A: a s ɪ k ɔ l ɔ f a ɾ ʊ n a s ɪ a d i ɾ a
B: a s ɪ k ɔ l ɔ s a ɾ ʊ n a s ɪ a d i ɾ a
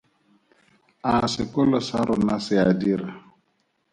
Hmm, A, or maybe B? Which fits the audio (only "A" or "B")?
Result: B